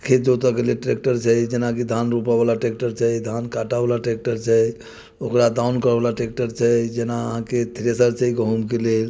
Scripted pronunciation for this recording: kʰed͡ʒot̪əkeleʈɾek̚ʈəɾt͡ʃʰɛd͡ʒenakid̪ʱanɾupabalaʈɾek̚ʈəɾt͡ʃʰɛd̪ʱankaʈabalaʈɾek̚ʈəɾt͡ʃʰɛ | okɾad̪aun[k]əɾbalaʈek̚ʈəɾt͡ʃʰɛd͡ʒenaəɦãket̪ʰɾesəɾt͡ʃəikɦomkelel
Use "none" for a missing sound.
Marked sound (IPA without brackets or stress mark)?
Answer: k